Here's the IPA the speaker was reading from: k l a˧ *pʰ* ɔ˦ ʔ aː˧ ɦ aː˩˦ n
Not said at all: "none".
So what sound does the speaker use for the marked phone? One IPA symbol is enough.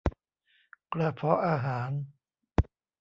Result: pʰ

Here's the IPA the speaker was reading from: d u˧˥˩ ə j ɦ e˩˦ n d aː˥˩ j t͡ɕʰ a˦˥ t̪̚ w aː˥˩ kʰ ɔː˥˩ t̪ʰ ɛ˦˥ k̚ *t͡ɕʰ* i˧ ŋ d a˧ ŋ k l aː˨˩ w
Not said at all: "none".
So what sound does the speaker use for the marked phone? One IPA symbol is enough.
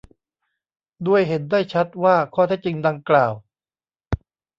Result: t͡ɕ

